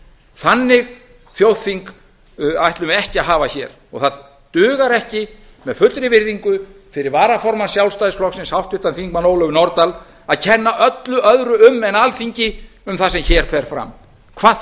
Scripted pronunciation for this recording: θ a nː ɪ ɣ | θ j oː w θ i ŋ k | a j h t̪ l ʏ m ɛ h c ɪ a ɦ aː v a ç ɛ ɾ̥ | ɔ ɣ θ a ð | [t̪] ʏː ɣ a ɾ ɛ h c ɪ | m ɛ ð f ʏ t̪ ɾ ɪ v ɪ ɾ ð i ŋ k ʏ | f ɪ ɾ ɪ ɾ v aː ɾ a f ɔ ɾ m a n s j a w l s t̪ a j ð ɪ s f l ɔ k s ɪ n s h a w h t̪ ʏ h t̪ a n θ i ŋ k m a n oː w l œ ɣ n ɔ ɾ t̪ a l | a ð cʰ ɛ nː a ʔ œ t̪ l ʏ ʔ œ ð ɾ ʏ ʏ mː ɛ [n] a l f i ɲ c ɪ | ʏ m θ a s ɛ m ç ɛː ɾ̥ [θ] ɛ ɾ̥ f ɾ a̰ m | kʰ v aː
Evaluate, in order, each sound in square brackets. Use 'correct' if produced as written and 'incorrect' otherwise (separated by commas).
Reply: correct, correct, incorrect